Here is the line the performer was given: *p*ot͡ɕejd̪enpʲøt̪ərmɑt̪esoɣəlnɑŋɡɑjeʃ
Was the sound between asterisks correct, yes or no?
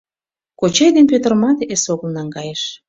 no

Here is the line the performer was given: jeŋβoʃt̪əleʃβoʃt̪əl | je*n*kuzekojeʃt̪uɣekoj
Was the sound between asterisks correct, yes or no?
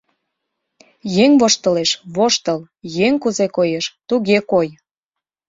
no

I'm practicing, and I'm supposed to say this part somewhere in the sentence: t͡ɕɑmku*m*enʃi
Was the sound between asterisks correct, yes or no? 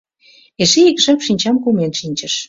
yes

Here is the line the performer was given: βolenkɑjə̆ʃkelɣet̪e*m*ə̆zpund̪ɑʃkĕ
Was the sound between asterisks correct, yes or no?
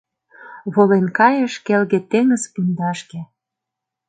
no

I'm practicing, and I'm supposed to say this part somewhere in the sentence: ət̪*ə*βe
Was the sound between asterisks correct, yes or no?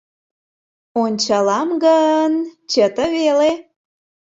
yes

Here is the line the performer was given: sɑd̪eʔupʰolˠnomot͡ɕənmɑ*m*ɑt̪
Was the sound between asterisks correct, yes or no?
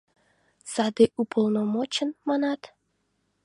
no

